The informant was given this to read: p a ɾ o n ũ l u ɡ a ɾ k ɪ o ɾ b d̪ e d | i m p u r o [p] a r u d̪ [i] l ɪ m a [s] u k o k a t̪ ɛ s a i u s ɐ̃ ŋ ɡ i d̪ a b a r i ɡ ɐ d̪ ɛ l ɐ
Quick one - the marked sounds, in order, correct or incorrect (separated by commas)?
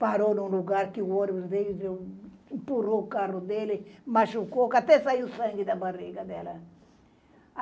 incorrect, incorrect, incorrect